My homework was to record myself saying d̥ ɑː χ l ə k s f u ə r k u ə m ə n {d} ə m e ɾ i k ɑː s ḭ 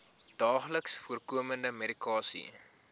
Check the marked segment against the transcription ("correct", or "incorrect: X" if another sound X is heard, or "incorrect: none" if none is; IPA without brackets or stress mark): correct